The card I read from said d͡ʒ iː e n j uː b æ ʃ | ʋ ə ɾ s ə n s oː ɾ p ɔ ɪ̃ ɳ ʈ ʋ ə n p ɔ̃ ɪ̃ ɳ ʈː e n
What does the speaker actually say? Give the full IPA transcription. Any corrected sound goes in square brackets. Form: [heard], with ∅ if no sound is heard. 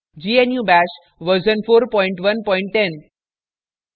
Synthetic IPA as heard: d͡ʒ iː e n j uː b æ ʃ | ʋ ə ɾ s ə n [f] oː ɾ p ɔ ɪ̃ ɳ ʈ ʋ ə n p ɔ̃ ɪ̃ ɳ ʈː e n